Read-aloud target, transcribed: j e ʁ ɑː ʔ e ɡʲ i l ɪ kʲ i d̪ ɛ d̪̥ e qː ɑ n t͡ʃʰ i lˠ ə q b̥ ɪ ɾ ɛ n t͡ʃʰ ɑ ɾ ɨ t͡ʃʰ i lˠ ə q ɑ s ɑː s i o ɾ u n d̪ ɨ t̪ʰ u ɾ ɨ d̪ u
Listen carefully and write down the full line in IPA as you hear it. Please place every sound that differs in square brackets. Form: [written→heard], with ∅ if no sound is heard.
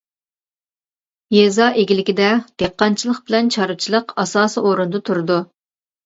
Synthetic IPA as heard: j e [ʁ→z] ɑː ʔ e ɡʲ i l ɪ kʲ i d̪ ɛ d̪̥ e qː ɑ n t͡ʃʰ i lˠ ə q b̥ ɪ [ɾ→l] ɛ n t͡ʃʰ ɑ ɾ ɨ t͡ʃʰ i lˠ ə q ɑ s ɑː s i o ɾ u n d̪ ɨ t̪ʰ u ɾ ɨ d̪ u

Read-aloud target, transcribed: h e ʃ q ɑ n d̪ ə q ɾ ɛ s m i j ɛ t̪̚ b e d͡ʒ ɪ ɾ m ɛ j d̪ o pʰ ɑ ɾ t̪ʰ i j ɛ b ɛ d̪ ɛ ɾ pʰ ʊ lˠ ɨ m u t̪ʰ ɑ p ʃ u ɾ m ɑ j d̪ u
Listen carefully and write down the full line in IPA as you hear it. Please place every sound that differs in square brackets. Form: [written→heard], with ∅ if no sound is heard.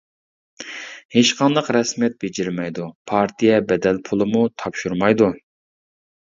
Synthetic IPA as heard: h e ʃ q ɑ n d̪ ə q ɾ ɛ s m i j ɛ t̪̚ b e d͡ʒ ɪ ɾ m ɛ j d̪ [o→u] pʰ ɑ ɾ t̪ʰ i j ɛ b ɛ d̪ ɛ [ɾ→l] pʰ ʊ lˠ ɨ m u t̪ʰ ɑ p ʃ u ɾ m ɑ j d̪ u

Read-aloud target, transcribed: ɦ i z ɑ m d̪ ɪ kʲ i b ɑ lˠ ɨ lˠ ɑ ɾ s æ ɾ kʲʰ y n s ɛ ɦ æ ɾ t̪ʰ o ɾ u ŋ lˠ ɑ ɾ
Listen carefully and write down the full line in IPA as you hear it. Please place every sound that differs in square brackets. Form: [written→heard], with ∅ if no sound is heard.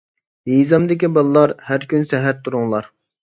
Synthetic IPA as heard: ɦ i z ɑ m d̪ ɪ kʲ i b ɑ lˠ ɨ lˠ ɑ ɾ [s→h] æ ɾ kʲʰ y n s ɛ ɦ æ ɾ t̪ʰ [o→u] ɾ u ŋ lˠ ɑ ɾ

